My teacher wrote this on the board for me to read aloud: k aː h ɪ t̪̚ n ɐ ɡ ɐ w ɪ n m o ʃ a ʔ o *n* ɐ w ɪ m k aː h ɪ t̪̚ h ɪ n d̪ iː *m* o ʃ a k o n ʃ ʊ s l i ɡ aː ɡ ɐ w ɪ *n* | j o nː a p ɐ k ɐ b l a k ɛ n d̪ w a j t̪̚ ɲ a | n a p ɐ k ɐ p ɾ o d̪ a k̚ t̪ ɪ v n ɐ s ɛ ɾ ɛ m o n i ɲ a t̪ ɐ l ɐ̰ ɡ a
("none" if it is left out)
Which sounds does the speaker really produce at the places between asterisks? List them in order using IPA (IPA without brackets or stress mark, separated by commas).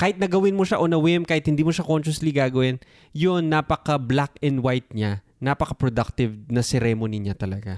n, m, n